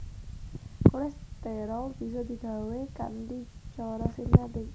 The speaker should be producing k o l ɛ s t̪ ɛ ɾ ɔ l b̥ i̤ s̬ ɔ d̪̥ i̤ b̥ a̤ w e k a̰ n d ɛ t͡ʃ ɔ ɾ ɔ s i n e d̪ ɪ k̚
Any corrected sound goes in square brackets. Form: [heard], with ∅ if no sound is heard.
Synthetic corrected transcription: k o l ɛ s t̪ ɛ ɾ ɔ l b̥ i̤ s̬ ɔ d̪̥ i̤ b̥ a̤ w e k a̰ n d [i] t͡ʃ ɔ ɾ ɔ s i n [a] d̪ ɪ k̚